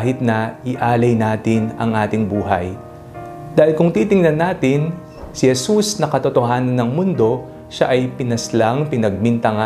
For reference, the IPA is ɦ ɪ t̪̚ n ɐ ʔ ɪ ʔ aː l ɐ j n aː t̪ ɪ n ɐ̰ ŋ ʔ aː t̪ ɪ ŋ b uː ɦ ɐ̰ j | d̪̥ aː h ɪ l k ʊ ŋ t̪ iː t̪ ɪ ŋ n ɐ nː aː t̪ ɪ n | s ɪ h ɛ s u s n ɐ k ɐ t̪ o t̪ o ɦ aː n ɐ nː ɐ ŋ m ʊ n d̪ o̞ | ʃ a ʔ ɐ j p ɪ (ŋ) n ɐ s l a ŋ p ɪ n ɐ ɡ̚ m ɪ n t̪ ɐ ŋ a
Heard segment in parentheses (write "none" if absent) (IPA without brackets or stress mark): none